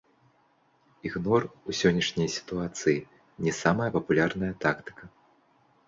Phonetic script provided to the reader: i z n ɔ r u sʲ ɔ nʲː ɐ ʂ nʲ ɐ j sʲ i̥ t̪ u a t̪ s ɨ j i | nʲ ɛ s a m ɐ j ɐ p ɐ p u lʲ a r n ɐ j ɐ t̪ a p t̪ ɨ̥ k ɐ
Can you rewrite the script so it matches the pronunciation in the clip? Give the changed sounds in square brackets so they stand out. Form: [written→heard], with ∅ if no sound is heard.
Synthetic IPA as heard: i [z→ɣ] n ɔ r u sʲ ɔ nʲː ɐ ʂ nʲ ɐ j sʲ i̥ t̪ u a t̪ s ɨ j i | nʲ ɛ s a m ɐ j ɐ p ɐ p u lʲ a r n ɐ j ɐ t̪ a [p→k] t̪ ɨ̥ k ɐ